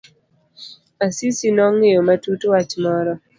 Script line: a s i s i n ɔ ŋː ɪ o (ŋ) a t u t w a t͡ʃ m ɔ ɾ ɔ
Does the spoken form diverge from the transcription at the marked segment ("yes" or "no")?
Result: yes